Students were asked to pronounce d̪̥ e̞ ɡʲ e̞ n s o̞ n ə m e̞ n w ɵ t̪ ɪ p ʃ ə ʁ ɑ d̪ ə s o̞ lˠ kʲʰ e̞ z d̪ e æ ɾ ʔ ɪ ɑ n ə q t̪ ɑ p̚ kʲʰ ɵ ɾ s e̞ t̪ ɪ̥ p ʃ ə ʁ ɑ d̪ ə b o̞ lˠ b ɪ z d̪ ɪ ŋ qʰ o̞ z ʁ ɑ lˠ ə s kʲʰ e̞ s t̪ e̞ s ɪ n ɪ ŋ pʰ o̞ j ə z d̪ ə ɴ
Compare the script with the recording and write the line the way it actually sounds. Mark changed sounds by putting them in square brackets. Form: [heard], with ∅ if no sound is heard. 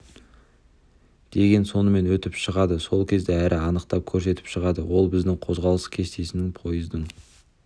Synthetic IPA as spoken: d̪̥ e̞ ɡʲ e̞ n s o̞ n ə m e̞ n w ɵ t̪ ɪ p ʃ ə ʁ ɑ d̪ ə s o̞ lˠ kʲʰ e̞ z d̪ e æ ɾ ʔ ɪ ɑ n ə q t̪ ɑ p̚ kʲʰ ɵ ɾ s e̞ t̪ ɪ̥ p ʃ ə ʁ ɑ d̪ ə [w] o̞ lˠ b ɪ z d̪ ɪ ŋ qʰ o̞ z ʁ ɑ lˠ ə s kʲʰ e̞ s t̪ e̞ s ɪ n ɪ ŋ pʰ o̞ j ə z d̪ ə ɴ

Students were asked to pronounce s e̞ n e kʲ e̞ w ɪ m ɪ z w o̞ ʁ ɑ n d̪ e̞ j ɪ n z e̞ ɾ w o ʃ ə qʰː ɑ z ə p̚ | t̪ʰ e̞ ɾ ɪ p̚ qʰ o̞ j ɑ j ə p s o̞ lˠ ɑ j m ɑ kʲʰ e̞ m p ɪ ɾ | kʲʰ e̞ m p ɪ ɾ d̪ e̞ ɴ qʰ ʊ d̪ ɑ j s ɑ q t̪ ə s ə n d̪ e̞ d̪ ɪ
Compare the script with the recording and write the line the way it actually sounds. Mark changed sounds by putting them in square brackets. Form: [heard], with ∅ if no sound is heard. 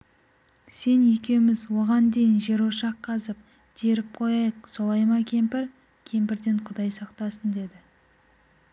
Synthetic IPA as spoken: s e̞ n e kʲ e̞ w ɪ m ɪ z w o̞ ʁ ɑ n d̪ e̞ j ɪ n [ʒ] e̞ ɾ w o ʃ [ɑ] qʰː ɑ z ə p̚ | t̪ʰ e̞ ɾ ɪ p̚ qʰ o̞ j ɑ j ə [q] s o̞ lˠ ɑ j m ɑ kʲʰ e̞ m p ɪ ɾ | kʲʰ e̞ m p ɪ ɾ d̪ e̞ ɴ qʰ ʊ d̪ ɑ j s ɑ q t̪ [ɑ] s ə n d̪ e̞ d̪ ɪ

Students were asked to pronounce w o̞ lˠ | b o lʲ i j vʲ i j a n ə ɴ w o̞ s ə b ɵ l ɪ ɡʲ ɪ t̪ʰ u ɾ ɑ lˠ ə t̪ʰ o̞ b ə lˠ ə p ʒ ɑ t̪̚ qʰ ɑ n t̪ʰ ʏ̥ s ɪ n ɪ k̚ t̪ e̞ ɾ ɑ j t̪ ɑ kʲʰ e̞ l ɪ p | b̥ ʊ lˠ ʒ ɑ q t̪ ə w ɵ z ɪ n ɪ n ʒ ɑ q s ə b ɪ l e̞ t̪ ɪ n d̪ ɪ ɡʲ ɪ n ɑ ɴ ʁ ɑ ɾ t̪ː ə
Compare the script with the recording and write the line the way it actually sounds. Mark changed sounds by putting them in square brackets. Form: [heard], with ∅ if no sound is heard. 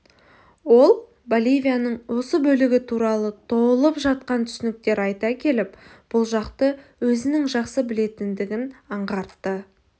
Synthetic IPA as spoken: w o̞ lˠ | b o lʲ i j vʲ i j a n ə ɴ w o̞ s ə b ɵ l ɪ ɡʲ ɪ t̪ʰ u ɾ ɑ lˠ ə t̪ʰ o̞ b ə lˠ ə p ʒ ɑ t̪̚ [q] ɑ n t̪ʰ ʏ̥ s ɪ n ɪ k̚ t̪ e̞ ɾ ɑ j t̪ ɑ kʲʰ e̞ l ɪ p | b̥ ʊ lˠ ʒ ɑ q t̪ ə w ɵ z ɪ n ɪ [ŋ] ʒ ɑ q s ə b ɪ l e̞ t̪ ɪ n d̪ ɪ ɡʲ ɪ n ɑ ɴ ʁ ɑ ɾ t̪ː ə

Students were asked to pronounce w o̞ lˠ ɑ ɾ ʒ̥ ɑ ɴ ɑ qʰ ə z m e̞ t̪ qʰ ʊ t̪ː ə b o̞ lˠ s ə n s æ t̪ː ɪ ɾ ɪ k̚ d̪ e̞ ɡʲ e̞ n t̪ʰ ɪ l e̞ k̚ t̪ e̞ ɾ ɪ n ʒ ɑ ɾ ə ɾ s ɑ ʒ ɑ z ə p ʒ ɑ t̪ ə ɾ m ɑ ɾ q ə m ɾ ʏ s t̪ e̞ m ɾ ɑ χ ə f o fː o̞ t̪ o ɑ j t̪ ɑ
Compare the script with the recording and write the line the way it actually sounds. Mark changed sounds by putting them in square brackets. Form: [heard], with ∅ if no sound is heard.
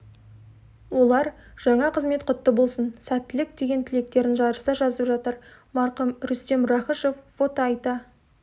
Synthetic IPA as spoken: w o̞ lˠ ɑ ɾ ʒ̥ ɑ ɴ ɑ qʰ ə z m e̞ t̪ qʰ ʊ t̪ː ə b o̞ lˠ s ə n s æ t̪ː ɪ [l] ɪ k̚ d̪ e̞ ɡʲ e̞ n t̪ʰ ɪ l e̞ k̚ t̪ e̞ ɾ ɪ n ʒ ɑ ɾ ə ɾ s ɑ ʒ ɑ z ə p ʒ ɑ t̪ ə ɾ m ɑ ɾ q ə m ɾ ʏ s t̪ e̞ m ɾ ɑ χ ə [ʃ] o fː o̞ t̪ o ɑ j t̪ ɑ

